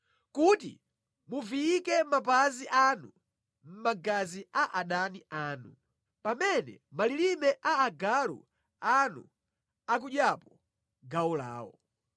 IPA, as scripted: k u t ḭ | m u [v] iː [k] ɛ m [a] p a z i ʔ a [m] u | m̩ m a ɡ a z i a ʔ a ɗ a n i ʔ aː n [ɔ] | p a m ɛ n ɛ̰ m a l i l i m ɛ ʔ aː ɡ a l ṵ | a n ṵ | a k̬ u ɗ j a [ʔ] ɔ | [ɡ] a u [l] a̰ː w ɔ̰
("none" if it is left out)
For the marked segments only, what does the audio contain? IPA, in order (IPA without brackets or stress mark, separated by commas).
v, k, a, n, u, p, ɡ, l